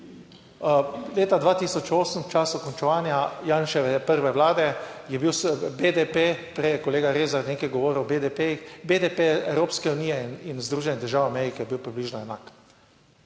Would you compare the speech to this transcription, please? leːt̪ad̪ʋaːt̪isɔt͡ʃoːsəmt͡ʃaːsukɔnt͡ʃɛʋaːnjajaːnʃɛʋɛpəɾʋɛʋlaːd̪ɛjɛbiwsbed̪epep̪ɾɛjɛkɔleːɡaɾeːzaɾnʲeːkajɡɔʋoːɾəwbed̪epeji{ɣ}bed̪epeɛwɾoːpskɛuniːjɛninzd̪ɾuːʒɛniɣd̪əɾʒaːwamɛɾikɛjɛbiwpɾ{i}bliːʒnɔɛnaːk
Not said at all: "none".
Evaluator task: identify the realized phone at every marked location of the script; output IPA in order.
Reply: x, i

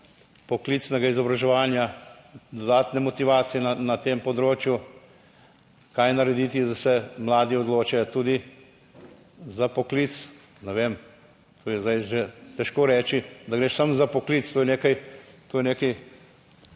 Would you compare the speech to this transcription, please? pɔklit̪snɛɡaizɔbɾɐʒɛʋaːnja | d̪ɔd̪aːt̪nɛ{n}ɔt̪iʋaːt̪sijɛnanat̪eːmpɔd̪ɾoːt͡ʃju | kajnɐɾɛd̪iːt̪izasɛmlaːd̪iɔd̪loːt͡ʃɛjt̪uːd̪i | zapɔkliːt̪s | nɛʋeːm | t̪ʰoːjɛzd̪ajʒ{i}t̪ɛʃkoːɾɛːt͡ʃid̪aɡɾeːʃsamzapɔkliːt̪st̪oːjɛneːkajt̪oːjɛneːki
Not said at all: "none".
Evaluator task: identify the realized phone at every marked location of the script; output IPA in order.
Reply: m, e

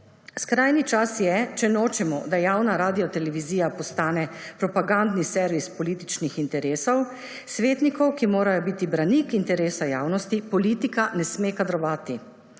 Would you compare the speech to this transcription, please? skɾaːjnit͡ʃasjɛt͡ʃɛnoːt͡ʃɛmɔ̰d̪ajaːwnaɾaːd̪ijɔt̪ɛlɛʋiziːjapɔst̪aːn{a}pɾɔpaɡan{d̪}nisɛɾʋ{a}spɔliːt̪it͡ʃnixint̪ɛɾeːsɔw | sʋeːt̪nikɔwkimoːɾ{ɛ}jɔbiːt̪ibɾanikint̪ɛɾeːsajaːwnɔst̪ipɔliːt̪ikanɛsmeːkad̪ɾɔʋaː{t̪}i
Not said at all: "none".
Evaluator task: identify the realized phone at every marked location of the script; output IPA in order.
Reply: ɛ, d̪, i, a, t̪

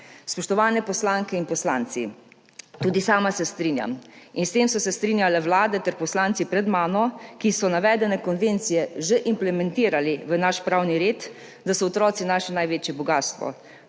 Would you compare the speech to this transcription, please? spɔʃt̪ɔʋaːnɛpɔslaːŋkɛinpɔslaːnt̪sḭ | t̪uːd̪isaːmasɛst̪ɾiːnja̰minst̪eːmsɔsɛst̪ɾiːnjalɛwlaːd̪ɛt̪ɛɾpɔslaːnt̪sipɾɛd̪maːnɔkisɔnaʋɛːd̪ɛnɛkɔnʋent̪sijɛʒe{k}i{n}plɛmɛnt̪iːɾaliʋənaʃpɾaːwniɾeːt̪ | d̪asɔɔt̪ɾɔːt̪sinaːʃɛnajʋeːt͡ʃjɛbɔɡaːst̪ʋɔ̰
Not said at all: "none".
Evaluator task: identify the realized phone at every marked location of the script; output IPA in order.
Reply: ʔ, m

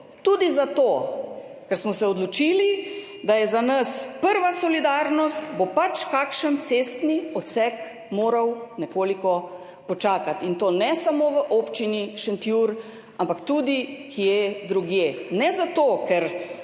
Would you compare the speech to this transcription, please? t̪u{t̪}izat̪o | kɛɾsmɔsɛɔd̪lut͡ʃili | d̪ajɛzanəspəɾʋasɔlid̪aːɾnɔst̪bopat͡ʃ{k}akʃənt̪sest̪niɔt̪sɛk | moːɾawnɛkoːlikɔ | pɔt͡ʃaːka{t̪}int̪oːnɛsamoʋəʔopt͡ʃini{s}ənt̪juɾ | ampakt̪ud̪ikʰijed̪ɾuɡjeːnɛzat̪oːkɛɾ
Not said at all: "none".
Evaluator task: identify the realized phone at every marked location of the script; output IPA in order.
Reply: d̪, k, t̪, ʃ

